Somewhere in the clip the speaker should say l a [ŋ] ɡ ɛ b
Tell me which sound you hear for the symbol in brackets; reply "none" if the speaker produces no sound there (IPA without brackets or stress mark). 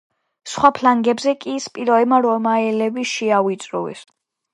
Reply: ŋ